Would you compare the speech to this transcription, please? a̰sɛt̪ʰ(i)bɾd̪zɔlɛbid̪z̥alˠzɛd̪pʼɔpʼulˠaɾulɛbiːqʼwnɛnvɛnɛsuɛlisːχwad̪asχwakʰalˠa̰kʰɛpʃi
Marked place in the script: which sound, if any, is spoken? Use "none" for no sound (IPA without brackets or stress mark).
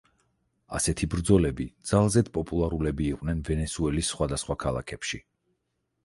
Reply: i